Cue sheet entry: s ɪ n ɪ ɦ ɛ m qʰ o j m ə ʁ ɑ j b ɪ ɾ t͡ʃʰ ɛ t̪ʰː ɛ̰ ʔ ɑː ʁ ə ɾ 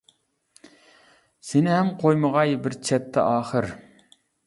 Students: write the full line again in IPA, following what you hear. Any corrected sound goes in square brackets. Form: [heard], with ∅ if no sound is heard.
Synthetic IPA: s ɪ n ɪ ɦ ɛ m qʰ o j m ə ʁ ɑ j b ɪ ɾ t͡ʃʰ ɛ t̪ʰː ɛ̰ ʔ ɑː [χ] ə ɾ